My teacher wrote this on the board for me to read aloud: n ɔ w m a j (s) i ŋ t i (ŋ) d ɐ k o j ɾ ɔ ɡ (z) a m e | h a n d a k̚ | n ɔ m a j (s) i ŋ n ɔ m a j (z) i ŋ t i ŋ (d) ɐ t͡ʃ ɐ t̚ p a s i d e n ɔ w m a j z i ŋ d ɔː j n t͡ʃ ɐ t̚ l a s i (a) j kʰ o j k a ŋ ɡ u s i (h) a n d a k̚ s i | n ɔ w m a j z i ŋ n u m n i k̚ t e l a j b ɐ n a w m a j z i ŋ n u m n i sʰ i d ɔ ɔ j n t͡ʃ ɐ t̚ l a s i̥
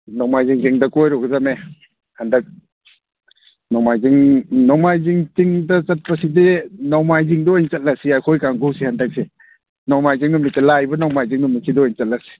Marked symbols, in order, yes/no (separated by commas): no, yes, yes, no, yes, yes, yes, yes